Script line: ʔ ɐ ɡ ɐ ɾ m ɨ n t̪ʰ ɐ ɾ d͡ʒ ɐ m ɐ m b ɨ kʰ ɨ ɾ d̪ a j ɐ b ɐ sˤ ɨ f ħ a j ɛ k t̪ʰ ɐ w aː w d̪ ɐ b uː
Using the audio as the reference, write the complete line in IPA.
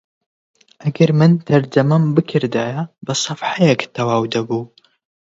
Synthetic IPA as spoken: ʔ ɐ ɡ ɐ ɾ m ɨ n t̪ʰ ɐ ɾ d͡ʒ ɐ m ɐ m b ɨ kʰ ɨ ɾ d̪ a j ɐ b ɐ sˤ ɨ f ħ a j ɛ k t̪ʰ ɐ w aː w d̪ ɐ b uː